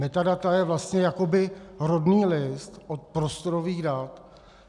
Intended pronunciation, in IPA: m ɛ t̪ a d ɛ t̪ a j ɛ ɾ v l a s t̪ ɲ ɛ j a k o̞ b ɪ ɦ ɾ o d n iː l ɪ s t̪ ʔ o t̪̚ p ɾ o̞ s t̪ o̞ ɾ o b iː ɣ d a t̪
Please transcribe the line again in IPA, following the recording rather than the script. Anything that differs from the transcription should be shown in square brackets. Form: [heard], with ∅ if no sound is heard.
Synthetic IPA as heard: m ɛ t̪ a d [a] t̪ a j ɛ [∅] v l a s t̪ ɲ ɛ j a k o̞ b ɪ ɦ ɾ o d n iː l ɪ s t̪ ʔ o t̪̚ p ɾ o̞ s t̪ o̞ ɾ o [v] iː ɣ d a t̪